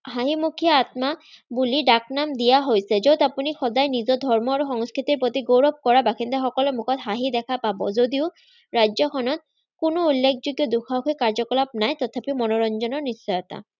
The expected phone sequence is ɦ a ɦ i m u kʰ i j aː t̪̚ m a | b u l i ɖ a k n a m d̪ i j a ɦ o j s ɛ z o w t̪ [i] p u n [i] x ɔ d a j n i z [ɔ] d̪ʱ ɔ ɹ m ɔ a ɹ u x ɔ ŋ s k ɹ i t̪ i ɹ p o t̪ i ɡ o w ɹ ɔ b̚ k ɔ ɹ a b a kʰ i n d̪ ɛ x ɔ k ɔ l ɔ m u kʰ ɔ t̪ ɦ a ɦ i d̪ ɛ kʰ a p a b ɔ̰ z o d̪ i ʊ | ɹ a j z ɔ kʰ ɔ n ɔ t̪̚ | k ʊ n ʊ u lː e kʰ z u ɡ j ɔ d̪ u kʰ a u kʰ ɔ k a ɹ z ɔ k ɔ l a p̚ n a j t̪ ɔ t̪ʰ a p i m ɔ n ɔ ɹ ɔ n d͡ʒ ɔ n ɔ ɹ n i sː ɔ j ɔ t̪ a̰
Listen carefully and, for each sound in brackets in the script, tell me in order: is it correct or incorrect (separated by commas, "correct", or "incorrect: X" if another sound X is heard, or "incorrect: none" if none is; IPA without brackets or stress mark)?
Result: incorrect: a, correct, correct